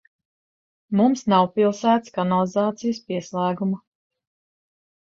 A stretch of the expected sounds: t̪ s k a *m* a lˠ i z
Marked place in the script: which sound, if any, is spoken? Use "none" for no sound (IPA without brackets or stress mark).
n